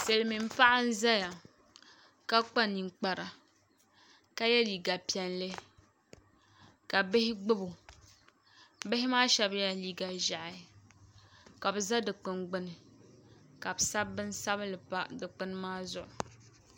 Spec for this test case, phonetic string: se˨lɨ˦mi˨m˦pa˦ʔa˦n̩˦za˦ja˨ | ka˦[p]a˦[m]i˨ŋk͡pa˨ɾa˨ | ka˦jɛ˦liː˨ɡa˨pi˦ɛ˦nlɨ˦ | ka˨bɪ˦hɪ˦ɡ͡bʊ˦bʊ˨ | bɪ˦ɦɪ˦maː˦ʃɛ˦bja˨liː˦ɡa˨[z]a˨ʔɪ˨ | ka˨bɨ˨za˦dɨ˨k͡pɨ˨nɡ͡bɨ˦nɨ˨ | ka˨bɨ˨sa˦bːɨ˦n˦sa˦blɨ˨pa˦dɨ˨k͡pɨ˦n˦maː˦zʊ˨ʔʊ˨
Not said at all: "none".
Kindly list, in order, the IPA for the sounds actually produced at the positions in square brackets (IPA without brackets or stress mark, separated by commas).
k͡p, n, ʒ